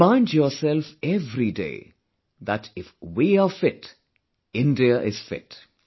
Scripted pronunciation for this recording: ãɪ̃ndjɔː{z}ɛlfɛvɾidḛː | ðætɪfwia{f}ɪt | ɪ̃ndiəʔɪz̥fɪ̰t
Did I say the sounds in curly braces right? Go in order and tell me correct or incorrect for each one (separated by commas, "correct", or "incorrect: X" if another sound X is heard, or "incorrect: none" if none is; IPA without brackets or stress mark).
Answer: incorrect: s, correct